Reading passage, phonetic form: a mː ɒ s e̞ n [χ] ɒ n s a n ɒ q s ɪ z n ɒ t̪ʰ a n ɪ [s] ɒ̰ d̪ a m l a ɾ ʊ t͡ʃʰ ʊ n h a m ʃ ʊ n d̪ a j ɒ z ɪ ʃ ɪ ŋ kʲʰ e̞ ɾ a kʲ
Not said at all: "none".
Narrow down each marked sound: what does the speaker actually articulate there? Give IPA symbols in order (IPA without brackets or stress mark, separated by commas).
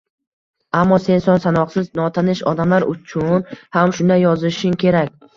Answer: s, ʃ